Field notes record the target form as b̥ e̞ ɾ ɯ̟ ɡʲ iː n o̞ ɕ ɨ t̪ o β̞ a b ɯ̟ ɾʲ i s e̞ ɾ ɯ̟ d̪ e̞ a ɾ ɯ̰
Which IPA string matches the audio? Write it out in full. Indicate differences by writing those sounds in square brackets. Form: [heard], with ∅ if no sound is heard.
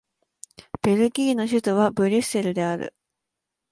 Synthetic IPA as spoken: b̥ e̞ ɾ ɯ̟ ɡʲ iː n o̞ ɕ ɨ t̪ o β̞ a b ɯ̟ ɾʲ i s e̞ ɾ ɯ̟ d̪ e̞ a ɾ ɯ̰